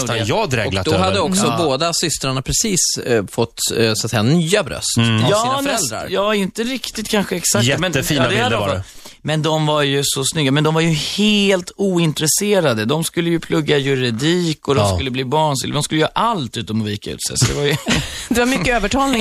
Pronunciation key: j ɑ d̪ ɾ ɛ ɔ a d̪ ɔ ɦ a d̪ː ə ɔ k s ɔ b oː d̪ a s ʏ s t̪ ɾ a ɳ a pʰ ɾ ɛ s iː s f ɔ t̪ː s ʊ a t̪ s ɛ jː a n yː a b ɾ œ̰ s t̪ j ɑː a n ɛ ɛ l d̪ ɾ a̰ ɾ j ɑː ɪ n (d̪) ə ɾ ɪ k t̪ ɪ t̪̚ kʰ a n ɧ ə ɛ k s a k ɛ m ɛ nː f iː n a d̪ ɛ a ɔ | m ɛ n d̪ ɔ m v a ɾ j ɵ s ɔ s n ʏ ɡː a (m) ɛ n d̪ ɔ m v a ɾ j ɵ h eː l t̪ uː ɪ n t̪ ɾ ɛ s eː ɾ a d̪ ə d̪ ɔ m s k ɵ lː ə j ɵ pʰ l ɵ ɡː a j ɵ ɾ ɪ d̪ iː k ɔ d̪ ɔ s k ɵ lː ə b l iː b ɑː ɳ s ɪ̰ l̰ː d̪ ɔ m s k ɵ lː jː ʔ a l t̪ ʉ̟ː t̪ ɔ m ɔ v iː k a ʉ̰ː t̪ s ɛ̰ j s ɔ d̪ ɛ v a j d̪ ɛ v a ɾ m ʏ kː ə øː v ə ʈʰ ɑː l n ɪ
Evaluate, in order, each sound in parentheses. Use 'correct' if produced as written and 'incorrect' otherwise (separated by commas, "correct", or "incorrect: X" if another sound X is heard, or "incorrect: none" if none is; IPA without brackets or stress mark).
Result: incorrect: t̪, correct